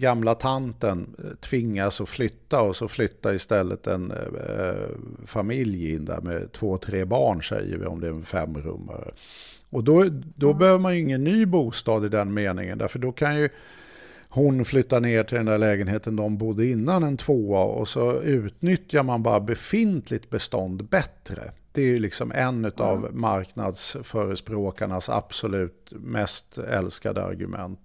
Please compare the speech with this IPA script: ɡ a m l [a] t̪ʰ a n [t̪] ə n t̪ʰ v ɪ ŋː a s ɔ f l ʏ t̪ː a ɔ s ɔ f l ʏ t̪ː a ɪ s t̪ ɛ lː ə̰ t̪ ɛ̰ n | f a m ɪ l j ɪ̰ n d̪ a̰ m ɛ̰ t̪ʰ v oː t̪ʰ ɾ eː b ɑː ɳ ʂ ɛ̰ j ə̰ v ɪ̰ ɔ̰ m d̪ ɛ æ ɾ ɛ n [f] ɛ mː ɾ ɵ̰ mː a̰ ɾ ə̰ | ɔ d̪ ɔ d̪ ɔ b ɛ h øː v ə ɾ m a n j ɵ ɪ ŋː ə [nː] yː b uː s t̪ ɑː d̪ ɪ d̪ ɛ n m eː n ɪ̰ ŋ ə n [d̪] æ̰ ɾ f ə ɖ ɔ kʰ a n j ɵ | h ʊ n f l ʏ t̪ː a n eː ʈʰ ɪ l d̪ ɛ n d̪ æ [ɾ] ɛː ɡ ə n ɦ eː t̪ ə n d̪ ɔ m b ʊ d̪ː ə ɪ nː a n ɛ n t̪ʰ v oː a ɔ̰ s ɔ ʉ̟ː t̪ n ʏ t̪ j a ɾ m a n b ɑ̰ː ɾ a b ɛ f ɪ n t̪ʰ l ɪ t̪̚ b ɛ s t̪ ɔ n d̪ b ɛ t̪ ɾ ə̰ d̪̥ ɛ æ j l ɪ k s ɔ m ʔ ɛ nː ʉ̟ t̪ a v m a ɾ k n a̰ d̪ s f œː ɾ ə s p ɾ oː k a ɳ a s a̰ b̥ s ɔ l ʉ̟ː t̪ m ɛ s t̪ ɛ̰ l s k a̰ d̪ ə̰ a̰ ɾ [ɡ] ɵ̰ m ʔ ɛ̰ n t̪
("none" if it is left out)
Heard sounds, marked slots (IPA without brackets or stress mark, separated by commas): a, t̪, f, nː, d̪, ɭ, ɡ